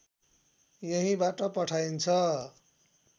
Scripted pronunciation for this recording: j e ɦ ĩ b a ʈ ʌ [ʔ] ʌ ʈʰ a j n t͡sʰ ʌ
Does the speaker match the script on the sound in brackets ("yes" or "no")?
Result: no